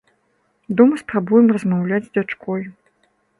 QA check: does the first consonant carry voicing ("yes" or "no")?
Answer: yes